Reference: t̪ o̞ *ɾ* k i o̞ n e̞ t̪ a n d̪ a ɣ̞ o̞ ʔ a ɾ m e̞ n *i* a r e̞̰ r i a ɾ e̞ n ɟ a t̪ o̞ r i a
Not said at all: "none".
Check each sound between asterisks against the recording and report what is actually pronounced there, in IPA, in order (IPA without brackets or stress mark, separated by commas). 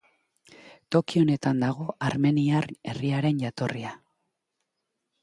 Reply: none, i